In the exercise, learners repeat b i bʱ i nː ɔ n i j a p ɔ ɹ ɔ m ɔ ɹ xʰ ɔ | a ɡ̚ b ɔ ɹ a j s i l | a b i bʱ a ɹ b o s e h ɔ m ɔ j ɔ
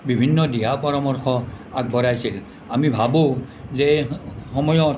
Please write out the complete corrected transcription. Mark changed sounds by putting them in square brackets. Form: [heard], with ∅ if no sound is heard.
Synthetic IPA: b i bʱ i nː ɔ [d] i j a p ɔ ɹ ɔ m ɔ ɹ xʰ ɔ | a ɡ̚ b ɔ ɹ a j s i l | a [m] i bʱ a [∅] b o [z] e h ɔ m ɔ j ɔ